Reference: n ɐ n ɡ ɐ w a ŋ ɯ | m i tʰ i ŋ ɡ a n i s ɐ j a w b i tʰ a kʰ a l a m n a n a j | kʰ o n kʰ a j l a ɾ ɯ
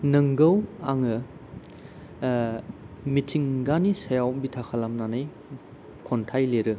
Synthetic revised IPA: n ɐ ŋ ɡ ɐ w a ŋ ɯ | m i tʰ i ŋ ɡ a n i s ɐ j a w b i tʰ a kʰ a l a m n a n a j | kʰ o n tʰ a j l e ɾ ɯ